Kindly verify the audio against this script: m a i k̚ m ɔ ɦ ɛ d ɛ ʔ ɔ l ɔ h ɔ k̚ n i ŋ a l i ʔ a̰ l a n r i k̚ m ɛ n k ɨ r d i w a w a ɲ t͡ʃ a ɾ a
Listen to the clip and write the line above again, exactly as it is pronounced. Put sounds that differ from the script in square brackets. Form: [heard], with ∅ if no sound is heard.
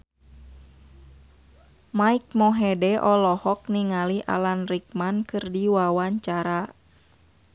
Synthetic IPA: m a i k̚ m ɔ ɦ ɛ d ɛ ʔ ɔ l ɔ h ɔ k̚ n i ŋ a l i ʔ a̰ l a n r i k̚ m [a] n k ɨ r d i w a w a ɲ t͡ʃ a ɾ a